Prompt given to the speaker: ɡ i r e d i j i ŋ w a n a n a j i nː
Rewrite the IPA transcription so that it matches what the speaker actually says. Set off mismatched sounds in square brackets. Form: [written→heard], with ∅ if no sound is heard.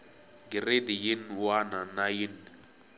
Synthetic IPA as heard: ɡ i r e d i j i [ŋ→n] w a n a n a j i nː